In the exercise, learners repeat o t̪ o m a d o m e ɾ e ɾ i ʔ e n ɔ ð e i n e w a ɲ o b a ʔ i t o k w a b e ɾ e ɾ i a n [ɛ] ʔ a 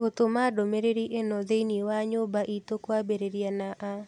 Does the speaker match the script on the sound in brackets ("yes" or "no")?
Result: no